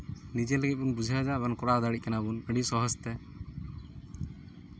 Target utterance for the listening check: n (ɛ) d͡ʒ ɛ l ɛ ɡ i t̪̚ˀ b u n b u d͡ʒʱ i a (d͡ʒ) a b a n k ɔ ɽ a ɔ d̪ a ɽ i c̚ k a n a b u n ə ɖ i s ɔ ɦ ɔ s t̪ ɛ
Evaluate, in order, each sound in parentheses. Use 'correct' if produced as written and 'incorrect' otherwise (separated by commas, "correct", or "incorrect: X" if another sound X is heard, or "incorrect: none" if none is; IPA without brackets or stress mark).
incorrect: i, correct